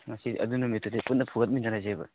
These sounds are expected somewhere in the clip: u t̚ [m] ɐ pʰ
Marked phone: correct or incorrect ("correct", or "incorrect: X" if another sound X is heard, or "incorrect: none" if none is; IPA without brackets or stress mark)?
incorrect: n